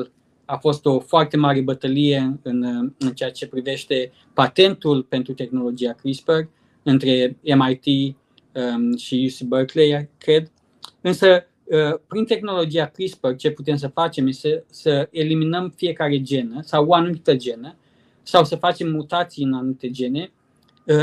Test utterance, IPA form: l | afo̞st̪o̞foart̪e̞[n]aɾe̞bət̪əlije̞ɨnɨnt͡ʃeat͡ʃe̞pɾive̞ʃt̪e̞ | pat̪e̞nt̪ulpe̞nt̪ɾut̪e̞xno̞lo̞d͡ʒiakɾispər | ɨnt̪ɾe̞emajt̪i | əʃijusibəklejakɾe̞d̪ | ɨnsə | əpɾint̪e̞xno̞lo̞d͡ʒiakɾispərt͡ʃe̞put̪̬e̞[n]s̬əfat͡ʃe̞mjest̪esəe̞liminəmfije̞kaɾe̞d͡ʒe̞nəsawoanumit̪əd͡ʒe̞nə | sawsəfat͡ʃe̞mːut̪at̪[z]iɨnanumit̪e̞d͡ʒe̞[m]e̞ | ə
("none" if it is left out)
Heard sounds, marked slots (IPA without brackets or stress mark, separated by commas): m, m, s, n